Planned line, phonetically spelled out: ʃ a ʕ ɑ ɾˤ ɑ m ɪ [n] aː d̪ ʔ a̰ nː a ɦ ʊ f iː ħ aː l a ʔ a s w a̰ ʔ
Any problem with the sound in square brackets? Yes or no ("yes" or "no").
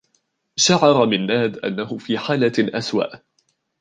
yes